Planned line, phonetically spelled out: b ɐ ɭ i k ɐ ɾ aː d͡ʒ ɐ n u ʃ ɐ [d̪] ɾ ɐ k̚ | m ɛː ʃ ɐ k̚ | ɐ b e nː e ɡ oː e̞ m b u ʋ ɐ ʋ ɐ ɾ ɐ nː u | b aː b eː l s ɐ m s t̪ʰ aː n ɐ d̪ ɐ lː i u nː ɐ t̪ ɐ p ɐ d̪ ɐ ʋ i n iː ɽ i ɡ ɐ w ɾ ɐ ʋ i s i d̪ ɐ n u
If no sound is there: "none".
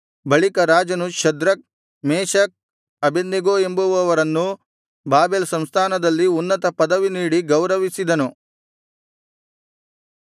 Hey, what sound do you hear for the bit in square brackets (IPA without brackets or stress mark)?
d̪